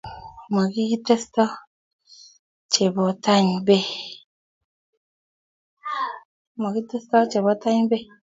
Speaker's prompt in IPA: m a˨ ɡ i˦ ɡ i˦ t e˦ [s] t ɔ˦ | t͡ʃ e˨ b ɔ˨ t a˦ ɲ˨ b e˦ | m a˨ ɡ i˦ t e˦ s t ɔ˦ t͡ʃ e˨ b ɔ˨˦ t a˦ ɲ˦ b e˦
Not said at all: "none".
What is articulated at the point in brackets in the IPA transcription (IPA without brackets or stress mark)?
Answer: s